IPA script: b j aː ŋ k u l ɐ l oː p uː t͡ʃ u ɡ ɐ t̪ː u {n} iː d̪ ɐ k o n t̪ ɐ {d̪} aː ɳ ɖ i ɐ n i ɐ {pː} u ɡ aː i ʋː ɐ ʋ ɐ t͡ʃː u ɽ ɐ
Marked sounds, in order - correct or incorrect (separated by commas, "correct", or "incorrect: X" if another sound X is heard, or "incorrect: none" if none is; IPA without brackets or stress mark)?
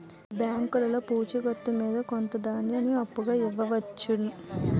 incorrect: m, correct, correct